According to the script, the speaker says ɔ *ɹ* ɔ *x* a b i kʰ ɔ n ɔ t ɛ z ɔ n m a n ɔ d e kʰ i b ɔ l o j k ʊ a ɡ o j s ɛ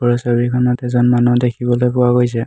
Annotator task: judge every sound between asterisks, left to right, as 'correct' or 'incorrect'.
correct, incorrect: s

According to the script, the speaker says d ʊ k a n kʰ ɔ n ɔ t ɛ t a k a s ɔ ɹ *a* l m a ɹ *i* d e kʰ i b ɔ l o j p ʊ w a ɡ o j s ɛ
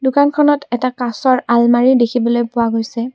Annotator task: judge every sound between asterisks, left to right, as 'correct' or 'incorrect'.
correct, correct

